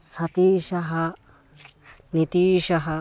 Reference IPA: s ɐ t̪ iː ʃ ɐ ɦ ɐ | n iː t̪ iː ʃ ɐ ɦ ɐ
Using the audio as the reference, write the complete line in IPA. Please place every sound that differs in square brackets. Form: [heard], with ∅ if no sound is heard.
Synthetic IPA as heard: s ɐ t̪ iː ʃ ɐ ɦ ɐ | n [i] t̪ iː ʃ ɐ ɦ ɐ